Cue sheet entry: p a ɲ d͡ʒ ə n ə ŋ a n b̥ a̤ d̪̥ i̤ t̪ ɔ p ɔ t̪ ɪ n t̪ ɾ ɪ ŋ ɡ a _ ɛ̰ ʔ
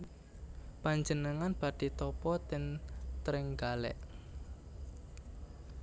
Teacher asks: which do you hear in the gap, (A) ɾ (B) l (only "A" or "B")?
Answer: B